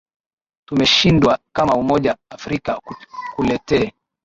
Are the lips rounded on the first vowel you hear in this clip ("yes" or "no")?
yes